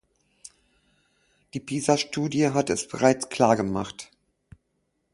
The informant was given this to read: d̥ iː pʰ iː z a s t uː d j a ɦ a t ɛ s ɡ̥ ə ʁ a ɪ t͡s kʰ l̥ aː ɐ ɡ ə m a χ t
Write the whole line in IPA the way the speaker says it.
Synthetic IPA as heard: d̥ iː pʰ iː z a ʃ t uː d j ə ɦ a t ɛ s b̥ ə ʁ a ɪ t͡s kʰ l̥ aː ɐ ɡ ə m a χ t